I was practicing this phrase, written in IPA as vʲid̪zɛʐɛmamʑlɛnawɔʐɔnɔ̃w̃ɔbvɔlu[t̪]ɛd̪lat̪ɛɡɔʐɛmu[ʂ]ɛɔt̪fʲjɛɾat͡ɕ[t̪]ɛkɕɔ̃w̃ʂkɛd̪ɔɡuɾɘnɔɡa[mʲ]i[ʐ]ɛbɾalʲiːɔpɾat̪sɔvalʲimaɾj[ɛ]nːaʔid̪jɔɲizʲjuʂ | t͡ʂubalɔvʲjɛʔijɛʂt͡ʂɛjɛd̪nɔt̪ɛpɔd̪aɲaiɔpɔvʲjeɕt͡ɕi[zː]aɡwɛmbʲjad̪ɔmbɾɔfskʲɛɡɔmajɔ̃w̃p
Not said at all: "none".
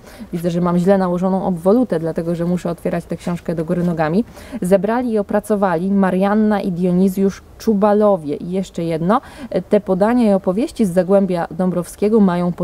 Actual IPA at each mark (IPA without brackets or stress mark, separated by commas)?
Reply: t̪, ʂ, t̪, mʲ, z, a, zː